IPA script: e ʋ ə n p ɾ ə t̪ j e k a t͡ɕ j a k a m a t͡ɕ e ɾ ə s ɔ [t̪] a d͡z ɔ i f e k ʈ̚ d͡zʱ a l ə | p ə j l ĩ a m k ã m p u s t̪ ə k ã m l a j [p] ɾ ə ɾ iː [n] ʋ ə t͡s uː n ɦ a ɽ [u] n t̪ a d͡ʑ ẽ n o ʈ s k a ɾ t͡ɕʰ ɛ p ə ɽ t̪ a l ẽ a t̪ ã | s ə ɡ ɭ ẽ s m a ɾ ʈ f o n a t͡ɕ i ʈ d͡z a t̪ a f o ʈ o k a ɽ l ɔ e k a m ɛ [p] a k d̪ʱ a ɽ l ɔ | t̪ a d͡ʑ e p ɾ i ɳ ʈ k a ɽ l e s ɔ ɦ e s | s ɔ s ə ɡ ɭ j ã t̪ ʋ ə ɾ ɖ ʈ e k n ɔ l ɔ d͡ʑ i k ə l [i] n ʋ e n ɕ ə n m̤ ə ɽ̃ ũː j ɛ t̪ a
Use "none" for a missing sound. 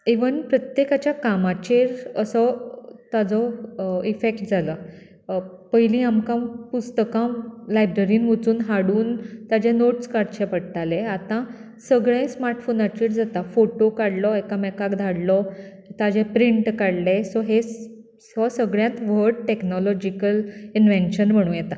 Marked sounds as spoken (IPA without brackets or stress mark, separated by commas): t̪, b, n, uː, k, i